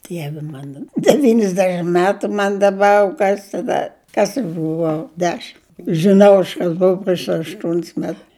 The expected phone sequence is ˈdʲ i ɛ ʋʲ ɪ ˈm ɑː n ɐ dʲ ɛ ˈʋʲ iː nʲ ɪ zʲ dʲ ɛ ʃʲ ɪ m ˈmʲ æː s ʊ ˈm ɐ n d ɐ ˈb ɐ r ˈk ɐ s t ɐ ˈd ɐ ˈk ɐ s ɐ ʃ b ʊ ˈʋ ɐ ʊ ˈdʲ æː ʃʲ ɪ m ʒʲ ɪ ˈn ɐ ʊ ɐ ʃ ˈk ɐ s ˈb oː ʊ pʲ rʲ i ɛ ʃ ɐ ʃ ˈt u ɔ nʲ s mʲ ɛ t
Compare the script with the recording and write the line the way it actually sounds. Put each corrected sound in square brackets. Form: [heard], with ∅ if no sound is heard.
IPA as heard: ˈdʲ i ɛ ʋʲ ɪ ˈm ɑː n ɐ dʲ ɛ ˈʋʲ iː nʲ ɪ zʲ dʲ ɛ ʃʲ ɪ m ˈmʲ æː [t] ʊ ˈm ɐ n d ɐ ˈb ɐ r ˈk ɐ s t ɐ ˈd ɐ ˈk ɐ s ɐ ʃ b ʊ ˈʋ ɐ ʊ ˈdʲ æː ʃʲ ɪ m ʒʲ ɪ ˈn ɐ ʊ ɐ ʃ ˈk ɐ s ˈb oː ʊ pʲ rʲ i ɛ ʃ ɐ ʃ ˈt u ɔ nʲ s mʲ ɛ t